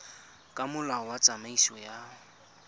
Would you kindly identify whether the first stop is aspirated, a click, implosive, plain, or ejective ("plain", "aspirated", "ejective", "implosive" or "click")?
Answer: ejective